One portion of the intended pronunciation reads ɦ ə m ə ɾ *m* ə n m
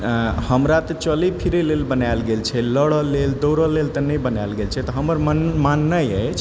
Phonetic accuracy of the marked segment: correct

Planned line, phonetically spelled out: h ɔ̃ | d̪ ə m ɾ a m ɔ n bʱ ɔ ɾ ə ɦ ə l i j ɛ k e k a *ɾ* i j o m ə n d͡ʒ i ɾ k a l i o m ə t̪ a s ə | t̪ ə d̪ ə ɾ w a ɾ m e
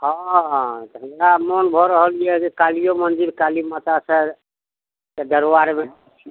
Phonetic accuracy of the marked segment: incorrect: l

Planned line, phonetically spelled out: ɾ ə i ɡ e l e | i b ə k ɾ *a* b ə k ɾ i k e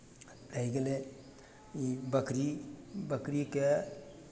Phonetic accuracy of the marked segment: incorrect: i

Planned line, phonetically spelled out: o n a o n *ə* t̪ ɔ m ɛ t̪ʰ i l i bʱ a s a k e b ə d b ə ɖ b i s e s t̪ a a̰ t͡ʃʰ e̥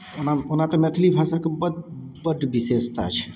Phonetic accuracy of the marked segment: incorrect: a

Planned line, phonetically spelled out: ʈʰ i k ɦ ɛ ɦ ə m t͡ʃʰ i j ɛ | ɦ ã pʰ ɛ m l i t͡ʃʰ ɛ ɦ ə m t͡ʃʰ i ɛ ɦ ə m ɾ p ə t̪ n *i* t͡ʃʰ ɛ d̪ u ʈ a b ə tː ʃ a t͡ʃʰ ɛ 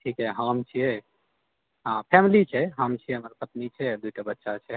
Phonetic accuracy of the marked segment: correct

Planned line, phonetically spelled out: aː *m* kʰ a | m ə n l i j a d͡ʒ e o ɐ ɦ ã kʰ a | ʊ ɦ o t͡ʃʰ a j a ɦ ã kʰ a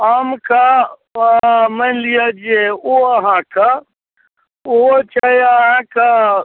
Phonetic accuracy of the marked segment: correct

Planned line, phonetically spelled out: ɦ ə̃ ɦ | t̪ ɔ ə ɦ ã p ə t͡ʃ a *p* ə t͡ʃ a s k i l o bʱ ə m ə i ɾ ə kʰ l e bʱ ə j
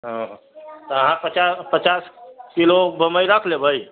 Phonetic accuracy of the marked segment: correct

